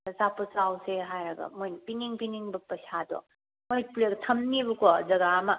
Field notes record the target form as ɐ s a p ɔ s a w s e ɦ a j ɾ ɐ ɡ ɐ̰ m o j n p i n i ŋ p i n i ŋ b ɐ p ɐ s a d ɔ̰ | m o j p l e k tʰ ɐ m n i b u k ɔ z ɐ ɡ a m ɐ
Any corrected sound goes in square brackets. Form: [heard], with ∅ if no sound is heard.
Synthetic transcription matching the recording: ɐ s a p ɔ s a w s e ɦ a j ɾ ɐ ɡ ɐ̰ m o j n p i n i ŋ p i n i ŋ b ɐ p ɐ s a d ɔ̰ | m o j p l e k tʰ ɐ m n i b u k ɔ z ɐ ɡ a m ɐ